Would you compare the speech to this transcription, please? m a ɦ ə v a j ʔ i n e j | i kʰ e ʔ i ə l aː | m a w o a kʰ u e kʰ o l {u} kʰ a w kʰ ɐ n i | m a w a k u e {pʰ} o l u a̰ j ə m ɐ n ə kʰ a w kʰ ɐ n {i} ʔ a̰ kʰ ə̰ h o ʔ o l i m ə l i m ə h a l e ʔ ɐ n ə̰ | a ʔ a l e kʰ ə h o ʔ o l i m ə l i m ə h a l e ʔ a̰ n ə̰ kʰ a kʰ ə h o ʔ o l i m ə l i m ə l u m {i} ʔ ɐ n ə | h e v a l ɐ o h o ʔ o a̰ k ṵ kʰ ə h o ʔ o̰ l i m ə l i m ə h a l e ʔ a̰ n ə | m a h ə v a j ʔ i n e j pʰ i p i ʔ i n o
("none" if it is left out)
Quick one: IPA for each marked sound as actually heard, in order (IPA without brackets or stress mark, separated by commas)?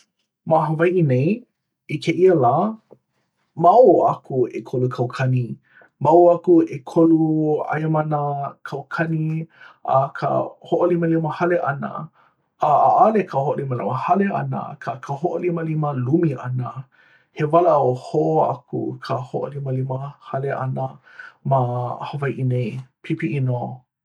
u, kʰ, i, i